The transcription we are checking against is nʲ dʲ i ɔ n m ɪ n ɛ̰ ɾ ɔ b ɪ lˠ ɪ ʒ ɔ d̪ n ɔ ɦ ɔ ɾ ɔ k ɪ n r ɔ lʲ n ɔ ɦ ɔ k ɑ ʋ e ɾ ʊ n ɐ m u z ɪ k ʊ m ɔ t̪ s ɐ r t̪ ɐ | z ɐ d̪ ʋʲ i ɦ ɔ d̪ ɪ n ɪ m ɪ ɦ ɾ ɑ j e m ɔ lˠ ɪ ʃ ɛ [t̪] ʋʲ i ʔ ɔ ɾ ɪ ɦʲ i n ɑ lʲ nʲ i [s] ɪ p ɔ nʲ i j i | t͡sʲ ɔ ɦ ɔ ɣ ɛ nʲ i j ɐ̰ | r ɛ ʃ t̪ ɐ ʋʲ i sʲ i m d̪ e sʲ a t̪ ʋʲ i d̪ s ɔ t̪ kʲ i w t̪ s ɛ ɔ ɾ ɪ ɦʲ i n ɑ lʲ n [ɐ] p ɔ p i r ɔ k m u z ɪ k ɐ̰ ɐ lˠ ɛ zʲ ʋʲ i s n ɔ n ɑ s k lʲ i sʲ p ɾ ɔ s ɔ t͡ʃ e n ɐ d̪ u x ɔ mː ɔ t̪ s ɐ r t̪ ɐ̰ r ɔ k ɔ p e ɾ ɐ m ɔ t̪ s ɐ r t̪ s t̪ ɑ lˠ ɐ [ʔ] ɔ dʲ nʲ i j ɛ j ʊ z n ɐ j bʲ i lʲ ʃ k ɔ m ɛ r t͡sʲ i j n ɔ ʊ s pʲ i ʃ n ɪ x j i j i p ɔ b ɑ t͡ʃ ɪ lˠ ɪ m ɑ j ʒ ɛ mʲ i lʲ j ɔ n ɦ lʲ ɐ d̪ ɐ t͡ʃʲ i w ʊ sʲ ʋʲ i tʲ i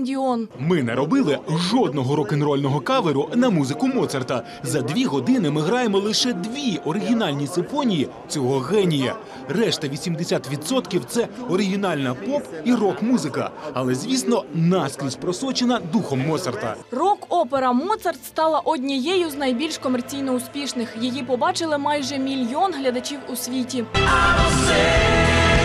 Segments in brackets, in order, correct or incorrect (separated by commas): incorrect, correct, correct, correct